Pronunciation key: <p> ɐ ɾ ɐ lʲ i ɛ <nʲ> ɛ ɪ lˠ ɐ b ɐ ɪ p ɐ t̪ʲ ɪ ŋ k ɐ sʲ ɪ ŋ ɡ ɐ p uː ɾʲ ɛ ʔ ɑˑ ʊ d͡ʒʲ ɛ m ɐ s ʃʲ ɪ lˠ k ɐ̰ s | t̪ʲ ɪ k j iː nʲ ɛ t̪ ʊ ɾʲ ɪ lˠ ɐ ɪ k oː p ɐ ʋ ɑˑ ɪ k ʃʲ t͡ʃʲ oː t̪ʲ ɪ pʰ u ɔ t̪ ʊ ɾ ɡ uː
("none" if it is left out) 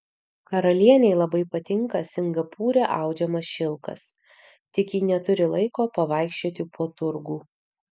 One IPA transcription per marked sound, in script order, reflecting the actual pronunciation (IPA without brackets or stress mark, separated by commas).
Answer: k, nʲ